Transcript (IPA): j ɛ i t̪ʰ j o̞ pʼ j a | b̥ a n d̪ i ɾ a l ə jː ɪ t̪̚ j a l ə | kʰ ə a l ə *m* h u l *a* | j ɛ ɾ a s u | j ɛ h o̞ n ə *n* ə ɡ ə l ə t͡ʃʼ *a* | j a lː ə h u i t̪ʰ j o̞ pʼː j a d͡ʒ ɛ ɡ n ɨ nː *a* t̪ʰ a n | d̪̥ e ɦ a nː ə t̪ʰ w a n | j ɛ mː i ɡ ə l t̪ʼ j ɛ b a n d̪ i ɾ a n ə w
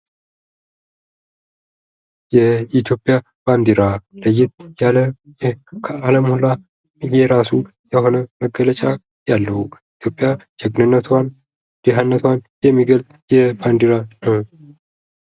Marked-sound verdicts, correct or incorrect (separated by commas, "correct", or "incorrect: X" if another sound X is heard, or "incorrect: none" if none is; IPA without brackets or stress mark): correct, correct, incorrect: m, correct, incorrect: ə